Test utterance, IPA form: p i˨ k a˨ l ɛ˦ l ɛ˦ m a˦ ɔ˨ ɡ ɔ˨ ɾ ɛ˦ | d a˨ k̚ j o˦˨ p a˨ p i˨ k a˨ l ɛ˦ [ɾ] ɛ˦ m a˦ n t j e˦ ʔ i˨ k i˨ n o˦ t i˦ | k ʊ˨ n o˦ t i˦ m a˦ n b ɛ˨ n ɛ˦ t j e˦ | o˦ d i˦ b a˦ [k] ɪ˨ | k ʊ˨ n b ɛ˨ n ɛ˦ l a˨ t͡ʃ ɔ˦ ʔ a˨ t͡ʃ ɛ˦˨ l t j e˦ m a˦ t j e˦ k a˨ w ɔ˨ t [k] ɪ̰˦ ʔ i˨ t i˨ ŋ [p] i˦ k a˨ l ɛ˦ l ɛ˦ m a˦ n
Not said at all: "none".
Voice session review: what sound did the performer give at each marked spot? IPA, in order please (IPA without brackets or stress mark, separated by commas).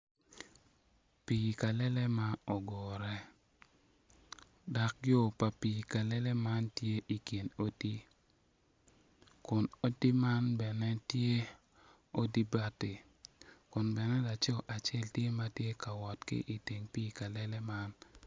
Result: l, t, k, p